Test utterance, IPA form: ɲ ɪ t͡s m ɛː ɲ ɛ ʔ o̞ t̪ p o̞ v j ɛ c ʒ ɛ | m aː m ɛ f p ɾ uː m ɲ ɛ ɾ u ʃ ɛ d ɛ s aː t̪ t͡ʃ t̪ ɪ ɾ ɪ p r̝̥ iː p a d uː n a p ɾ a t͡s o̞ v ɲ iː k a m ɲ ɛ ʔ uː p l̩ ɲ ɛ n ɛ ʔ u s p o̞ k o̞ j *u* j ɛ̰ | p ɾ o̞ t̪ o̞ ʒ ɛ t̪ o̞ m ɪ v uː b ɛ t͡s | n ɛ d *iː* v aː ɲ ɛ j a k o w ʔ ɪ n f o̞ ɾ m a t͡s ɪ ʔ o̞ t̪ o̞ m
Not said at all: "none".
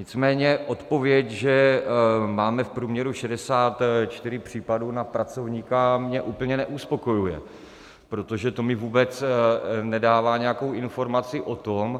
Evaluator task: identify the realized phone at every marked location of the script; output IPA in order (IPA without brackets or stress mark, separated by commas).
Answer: u, aː